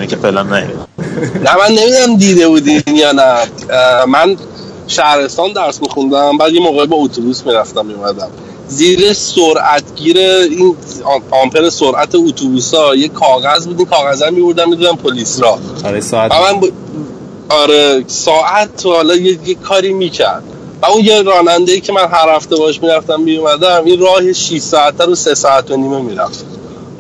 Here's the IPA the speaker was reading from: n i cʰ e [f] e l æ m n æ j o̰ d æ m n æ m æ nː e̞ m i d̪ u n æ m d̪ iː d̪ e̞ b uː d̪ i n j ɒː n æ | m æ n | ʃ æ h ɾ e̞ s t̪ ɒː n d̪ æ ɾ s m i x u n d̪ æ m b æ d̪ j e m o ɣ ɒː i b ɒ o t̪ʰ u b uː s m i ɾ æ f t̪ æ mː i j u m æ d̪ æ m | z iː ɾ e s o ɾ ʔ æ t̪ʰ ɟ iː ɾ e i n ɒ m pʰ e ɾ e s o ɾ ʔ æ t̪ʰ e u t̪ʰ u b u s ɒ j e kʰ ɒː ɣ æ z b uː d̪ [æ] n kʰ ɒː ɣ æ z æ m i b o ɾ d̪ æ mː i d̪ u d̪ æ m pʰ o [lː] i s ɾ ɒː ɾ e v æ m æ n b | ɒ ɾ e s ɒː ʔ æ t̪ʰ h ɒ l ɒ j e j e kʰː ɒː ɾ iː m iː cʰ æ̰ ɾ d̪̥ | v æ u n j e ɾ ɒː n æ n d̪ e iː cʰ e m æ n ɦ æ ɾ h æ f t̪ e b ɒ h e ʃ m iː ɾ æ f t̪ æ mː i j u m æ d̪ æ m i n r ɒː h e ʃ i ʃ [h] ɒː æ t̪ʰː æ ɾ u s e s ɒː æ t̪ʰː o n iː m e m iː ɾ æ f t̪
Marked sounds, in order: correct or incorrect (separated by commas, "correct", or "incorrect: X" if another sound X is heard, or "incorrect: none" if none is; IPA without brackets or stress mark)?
correct, incorrect: i, incorrect: l, incorrect: s